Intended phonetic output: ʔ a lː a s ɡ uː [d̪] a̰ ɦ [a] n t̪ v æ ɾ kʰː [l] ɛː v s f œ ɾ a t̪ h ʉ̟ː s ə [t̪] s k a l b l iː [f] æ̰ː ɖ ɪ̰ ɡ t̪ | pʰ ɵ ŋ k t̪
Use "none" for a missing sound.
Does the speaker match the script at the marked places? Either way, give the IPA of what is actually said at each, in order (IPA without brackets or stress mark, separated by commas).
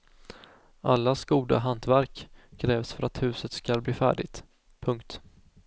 d̪, a, ɾ, t̪, f